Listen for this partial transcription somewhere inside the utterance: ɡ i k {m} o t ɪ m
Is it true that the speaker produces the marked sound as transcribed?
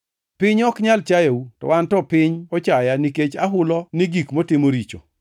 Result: yes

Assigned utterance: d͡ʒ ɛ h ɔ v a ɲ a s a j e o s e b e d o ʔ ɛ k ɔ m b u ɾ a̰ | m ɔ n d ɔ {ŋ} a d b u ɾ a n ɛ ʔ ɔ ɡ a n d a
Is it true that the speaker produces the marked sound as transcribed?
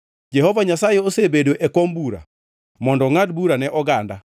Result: yes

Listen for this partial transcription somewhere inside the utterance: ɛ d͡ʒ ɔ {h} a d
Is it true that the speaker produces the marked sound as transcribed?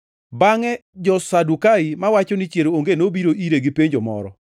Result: no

